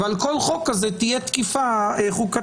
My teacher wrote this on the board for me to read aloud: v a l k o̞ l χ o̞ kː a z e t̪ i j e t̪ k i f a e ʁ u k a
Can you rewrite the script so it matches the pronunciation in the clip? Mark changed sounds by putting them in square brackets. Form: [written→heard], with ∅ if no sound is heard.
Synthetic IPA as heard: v a l k o̞ l χ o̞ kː a z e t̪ i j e t̪ k i f a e [ʁ→χ] u k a